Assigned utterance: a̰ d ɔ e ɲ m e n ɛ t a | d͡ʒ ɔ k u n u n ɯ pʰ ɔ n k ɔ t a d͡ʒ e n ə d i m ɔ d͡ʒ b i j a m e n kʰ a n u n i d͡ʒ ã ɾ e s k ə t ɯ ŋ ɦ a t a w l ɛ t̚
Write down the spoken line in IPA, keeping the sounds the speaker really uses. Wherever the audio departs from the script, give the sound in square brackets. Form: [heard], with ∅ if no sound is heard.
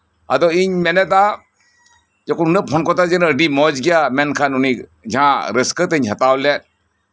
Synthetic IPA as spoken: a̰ d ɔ [i] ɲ m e n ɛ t a | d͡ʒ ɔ k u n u n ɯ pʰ ɔ n k ɔ t a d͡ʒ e n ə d i m ɔ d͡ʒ [ɡ] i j a m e n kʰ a n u n i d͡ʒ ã ɾ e s k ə t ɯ [ɲ] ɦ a t a w l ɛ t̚